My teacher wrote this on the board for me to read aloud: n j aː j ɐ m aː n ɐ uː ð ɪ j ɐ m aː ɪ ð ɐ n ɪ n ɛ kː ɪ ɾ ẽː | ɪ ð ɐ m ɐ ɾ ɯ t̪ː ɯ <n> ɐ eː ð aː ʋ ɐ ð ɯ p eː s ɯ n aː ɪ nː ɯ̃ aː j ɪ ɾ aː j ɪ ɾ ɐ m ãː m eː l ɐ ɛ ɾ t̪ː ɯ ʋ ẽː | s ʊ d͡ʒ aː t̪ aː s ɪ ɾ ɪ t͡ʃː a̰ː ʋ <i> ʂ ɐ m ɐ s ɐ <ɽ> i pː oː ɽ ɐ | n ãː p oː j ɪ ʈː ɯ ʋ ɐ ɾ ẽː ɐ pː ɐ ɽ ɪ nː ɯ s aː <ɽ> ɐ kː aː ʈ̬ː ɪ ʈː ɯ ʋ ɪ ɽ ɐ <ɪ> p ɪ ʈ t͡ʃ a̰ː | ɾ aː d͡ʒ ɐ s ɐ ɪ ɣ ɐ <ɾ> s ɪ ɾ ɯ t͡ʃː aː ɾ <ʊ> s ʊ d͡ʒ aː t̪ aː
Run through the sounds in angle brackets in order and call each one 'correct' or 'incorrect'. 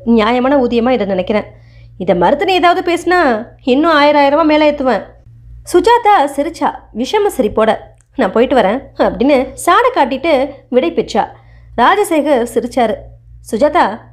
correct, incorrect: ɪ, incorrect: ɾ, correct, correct, correct, incorrect: ɯ

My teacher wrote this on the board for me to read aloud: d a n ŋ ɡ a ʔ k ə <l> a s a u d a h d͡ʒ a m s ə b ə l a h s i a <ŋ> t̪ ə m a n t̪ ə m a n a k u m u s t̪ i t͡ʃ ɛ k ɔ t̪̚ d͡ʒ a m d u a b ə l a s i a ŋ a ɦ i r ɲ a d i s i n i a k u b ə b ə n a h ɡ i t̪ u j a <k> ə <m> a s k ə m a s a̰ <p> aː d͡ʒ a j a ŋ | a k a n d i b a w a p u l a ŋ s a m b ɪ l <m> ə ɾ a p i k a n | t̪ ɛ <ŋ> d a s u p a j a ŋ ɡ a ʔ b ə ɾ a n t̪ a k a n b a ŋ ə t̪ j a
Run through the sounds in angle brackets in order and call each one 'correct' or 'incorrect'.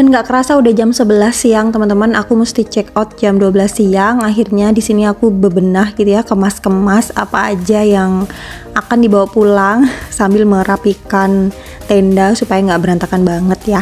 incorrect: ɾ, correct, correct, correct, correct, correct, incorrect: n

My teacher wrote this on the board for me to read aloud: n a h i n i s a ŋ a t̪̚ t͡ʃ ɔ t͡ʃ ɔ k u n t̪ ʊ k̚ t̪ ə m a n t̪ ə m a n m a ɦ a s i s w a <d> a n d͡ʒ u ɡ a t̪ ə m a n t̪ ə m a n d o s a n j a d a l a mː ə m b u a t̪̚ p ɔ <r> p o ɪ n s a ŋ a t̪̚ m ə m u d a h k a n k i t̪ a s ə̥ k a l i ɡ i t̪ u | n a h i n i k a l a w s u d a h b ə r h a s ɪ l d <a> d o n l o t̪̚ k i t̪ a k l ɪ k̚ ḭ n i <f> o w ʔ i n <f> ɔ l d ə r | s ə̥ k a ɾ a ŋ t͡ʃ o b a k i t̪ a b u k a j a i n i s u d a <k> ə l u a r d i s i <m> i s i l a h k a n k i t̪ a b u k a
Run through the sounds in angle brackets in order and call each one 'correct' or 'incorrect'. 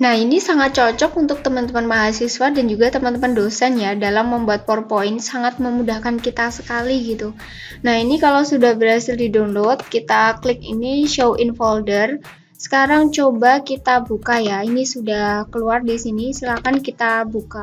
correct, correct, incorrect: i, incorrect: ʃ, correct, correct, incorrect: n

